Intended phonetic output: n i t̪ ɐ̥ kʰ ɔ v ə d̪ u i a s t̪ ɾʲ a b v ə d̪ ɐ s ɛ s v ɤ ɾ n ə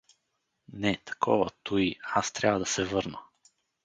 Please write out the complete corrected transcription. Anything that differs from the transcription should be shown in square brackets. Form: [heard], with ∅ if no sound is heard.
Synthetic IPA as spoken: n [ɛ] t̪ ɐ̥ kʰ ɔ v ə [t̪] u i a s t̪ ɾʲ a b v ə d̪ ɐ s ɛ [∅] v ɤ ɾ n ə

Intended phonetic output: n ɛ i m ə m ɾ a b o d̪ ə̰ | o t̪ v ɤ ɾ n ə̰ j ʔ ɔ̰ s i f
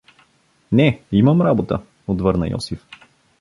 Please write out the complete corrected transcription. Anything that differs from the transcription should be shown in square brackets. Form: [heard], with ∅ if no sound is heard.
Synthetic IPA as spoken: n ɛ i m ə m ɾ a b o [t̪] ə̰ | o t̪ v ɤ ɾ n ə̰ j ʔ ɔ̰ s i f

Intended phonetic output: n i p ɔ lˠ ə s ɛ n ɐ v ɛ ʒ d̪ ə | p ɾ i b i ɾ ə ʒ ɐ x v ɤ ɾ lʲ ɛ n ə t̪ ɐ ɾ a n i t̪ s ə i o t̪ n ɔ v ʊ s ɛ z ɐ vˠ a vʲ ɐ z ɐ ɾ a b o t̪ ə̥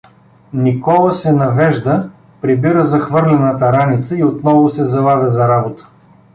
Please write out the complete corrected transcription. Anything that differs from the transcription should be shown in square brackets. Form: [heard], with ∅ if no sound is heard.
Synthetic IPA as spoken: n i [k] ɔ lˠ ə s ɛ n ɐ v ɛ ʒ d̪ ə | p ɾ i b i ɾ ə [z] ɐ x v ɤ ɾ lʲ ɛ n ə t̪ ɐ ɾ a n i t̪ s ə i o t̪ n ɔ v ʊ s ɛ z ɐ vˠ a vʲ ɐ z ɐ ɾ a b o t̪ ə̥

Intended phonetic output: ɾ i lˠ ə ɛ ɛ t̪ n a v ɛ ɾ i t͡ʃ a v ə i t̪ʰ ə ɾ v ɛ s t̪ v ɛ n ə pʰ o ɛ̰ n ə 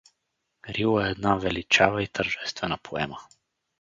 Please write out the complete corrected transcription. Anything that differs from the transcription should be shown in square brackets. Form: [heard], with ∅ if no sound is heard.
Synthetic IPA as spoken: ɾ i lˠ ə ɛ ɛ [d̪] n a v ɛ [l] i t͡ʃ a v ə i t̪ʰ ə ɾ [ʒ] ɛ s t̪ v ɛ n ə pʰ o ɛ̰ [m] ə

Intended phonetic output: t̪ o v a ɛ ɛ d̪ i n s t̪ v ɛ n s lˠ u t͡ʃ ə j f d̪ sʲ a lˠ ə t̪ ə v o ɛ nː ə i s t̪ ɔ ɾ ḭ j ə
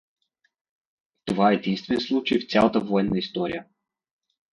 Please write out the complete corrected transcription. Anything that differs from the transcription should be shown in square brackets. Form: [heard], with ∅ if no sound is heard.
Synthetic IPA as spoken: t̪ o v a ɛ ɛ d̪ i n s t̪ v ɛ n s lˠ u t͡ʃ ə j f [t̪] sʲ a lˠ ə t̪ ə v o ɛ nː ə i s t̪ ɔ ɾ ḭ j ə

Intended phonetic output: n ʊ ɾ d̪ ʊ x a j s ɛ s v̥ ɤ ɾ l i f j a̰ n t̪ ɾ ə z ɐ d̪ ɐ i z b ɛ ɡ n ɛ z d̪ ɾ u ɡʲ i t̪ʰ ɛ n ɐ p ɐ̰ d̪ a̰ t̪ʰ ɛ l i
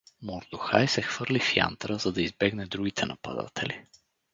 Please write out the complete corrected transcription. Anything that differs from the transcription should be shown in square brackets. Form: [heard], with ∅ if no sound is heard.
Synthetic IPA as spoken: [m] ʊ ɾ d̪ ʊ x a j s ɛ [x] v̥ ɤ ɾ l i f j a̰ n t̪ ɾ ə z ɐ d̪ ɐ i z b ɛ ɡ n ɛ [∅] d̪ ɾ u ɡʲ i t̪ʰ ɛ n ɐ p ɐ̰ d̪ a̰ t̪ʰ ɛ l i

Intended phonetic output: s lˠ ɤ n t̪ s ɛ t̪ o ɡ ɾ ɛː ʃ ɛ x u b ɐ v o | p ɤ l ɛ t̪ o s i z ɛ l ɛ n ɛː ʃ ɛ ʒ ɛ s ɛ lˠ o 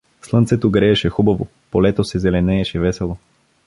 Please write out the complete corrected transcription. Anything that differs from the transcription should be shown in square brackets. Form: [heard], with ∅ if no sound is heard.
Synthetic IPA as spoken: s lˠ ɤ n t̪ s ɛ t̪ o ɡ ɾ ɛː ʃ ɛ x u b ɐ v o | p [o] l ɛ t̪ o s [ɛ] z ɛ l ɛ n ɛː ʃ ɛ [v] ɛ s ɛ lˠ o

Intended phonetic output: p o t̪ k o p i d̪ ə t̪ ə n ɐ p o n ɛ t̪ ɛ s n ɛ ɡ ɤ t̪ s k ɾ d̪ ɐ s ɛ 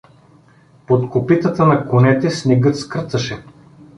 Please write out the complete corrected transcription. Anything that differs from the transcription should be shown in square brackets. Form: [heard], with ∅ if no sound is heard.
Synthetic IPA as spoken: p o t̪ k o p i [t̪] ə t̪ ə n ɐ [k] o n ɛ t̪ ɛ s n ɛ ɡ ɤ t̪ s k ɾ [t̪] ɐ [ʃ] ɛ

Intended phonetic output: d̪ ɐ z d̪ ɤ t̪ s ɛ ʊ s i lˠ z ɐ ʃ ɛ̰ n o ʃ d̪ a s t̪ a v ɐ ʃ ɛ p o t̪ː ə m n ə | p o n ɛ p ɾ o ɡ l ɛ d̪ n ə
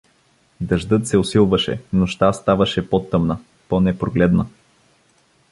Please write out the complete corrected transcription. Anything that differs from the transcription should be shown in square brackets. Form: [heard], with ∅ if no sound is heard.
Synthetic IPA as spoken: d̪ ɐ [ʒ] d̪ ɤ t̪ s ɛ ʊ s i lˠ [v] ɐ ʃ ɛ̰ n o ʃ [t̪] a s t̪ a v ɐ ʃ ɛ p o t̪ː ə m n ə | p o n ɛ p ɾ o ɡ l ɛ d̪ n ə

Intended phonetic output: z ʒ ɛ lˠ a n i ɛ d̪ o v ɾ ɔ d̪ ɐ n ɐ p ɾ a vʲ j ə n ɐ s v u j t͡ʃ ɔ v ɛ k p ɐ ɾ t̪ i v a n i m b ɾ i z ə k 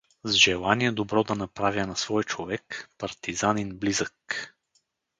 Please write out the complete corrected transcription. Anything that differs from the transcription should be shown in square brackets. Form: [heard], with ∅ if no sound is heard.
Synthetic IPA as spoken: z ʒ ɛ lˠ a n i ɛ d̪ o [b] ɾ ɔ d̪ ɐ n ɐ p ɾ a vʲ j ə n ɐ s v [ɔ] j t͡ʃ [o] v ɛ k p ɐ ɾ t̪ i [z] a n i [n] b [l] i z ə k

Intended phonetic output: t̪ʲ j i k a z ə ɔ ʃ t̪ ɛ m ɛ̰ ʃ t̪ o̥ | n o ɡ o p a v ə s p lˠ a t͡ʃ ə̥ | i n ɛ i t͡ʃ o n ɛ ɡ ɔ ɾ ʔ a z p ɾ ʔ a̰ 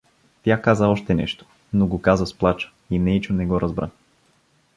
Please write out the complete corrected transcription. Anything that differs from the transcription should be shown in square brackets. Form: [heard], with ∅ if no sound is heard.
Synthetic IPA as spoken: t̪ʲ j [a] k a z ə ɔ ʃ t̪ ɛ [n] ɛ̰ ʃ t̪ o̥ | n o ɡ o [k] a [z] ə s p lˠ a t͡ʃ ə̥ | i n ɛ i t͡ʃ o n ɛ ɡ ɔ ɾ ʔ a z [b] ɾ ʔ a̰

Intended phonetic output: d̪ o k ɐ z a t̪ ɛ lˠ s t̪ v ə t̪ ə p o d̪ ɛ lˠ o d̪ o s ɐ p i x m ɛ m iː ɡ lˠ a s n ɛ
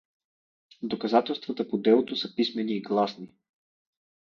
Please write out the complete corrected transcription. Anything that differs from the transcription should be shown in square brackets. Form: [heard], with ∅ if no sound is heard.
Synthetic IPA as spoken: d̪ o k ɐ z a t̪ ɛ lˠ s t̪ v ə t̪ ə p o d̪ ɛ lˠ o [t̪] o s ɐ p i [s] m ɛ [n] iː ɡ lˠ a s n [i]

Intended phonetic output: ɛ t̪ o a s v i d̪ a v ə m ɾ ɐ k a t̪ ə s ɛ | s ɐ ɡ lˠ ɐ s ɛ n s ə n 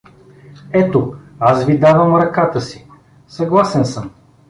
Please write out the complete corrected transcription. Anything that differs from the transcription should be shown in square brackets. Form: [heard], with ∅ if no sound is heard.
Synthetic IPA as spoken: ɛ t̪ o a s v i d̪ a v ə m ɾ ɐ k a t̪ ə s [i] | s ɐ ɡ lˠ [a] s ɛ n s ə [m]

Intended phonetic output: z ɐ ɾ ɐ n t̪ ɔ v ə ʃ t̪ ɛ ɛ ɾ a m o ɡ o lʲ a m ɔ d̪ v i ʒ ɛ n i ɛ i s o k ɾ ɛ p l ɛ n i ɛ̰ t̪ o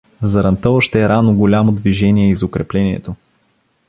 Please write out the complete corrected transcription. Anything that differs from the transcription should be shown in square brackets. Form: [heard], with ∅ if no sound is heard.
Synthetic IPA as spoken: z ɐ ɾ ɐ n t̪ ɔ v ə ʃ t̪ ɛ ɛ ɾ a [n] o ɡ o lʲ a m [o] d̪ v i ʒ ɛ n i ɛ i [z] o k ɾ ɛ p l ɛ n i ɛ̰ t̪ o

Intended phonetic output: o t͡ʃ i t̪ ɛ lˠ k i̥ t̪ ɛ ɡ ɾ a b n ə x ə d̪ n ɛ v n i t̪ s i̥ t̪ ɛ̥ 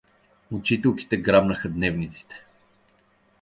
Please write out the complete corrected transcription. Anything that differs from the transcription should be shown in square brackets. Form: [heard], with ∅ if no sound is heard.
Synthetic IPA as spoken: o t͡ʃ i t̪ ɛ lˠ k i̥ t̪ ɛ ɡ ɾ a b n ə x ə d̪ n ɛ v n i t̪ s i̥ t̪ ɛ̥

